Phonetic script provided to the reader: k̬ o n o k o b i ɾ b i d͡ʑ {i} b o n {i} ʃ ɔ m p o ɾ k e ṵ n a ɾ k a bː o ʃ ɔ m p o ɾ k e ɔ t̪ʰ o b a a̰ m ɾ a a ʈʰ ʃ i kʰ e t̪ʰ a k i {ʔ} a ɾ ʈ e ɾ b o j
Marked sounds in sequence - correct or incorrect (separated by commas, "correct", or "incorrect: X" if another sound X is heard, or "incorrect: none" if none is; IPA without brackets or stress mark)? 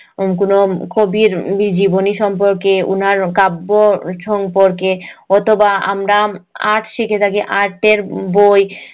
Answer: correct, correct, correct